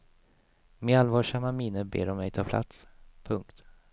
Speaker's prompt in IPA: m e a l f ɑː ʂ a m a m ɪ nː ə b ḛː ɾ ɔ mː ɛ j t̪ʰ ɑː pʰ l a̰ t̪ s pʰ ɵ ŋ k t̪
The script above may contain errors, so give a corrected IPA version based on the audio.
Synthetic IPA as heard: m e a l v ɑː ʂ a m a m ɪ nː ə b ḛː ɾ ɔ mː ɛ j t̪ʰ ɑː pʰ l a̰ t̪ s pʰ ɵ ŋ k t̪